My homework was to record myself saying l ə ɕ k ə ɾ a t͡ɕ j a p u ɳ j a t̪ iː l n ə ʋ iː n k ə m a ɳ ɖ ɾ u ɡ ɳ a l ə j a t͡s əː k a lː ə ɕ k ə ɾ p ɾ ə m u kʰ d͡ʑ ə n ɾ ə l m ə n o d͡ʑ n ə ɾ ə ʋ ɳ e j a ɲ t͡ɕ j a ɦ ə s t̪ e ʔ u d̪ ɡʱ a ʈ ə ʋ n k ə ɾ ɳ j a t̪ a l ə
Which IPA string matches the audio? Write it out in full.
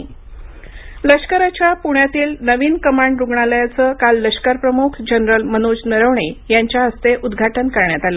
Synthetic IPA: l ə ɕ k ə ɾ a t͡ɕ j a p u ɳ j a t̪ iː l n ə ʋ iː n k ə m a ɳ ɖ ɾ u ɡ ɳ a l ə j a t͡s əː k a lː ə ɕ k ə ɾ p ɾ ə m u kʰ d͡ʑ ə n ɾ ə l m ə n o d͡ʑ n ə ɾ ə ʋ ɳ e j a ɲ t͡ɕ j a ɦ ə s t̪ e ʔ u d̪ ɡʱ a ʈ ə n k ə ɾ ɳ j a t̪ a l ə